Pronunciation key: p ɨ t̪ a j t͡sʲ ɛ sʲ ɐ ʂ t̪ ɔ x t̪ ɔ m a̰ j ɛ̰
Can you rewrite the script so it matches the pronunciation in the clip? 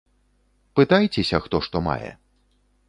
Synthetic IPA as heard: p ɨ t̪ a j t͡sʲ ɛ sʲ ɐ x t̪ ɔ ʂ t̪ ɔ m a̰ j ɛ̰